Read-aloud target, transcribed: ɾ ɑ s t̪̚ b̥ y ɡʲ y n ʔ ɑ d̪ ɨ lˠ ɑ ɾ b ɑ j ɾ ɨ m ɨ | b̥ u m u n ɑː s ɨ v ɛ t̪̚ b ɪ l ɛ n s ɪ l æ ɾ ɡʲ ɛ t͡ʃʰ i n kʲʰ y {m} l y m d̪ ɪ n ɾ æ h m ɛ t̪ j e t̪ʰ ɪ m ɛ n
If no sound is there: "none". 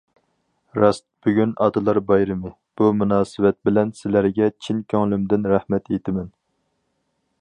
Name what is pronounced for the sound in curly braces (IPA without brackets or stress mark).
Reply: ŋ